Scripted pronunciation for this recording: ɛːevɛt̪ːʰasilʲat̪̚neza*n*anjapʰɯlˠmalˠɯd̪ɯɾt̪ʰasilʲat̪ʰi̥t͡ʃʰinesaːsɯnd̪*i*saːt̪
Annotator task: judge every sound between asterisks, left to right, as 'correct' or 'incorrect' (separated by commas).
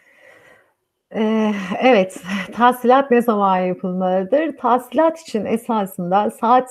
incorrect, incorrect